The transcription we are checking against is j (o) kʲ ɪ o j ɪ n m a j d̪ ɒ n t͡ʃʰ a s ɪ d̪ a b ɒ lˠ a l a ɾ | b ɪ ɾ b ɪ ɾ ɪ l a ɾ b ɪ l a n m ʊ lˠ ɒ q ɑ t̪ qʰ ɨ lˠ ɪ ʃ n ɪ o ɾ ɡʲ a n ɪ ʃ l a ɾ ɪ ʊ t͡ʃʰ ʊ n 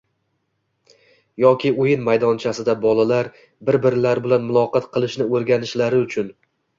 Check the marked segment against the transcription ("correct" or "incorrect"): incorrect